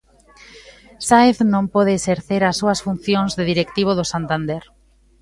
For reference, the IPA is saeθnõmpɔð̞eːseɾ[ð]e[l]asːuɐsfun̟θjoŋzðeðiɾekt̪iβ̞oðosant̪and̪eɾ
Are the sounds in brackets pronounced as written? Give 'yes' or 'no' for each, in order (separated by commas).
no, no